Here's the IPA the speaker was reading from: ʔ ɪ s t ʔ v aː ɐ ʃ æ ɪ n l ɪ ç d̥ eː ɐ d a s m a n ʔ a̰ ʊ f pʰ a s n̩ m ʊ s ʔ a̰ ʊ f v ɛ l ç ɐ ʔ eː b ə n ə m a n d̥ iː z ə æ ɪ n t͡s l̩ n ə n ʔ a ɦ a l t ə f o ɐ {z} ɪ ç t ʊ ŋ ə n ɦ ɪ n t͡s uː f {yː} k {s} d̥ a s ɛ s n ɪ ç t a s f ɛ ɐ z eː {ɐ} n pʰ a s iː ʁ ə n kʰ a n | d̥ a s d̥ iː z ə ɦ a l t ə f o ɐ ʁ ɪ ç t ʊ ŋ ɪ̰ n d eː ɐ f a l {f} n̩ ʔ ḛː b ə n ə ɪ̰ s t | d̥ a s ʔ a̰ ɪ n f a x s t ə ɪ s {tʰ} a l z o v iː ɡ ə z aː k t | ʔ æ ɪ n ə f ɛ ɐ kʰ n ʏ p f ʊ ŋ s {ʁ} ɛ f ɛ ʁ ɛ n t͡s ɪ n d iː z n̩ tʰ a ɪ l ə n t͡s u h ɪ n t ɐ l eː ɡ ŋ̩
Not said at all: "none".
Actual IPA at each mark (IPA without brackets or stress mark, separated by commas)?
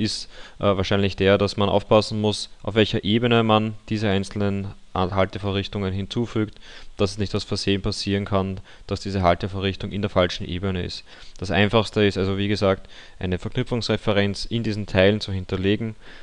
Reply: ʁ, yː, t, ə, ʃ, t, ʁ